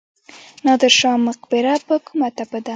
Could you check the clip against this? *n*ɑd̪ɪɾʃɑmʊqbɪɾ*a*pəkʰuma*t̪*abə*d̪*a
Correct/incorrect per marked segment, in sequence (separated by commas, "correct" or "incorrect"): correct, correct, correct, correct